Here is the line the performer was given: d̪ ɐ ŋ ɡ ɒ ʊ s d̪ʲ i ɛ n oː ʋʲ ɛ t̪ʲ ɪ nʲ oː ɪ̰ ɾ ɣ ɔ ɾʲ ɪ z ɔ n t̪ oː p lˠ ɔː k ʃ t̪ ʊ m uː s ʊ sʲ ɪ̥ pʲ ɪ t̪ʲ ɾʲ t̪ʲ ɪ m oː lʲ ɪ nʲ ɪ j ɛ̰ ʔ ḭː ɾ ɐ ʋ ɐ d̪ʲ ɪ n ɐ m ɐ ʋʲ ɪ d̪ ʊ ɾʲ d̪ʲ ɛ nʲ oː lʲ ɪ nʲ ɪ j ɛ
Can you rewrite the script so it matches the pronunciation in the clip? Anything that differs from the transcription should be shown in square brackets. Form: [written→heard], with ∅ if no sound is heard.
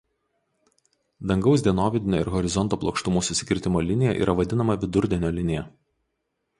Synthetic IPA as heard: d̪ ɐ ŋ ɡ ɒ ʊ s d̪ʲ i ɛ n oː ʋʲ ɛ [t̪ʲ→d̪ʲ] ɪ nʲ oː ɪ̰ ɾ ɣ ɔ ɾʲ ɪ z ɔ n t̪ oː p lˠ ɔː k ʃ t̪ ʊ m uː s ʊ sʲ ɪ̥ [pʲ→kʲ] ɪ [t̪ʲ→∅] ɾʲ t̪ʲ ɪ m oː lʲ ɪ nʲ ɪ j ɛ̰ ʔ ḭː ɾ ɐ ʋ ɐ d̪ʲ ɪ n ɐ m ɐ ʋʲ ɪ d̪ ʊ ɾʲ d̪ʲ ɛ nʲ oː lʲ ɪ nʲ ɪ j ɛ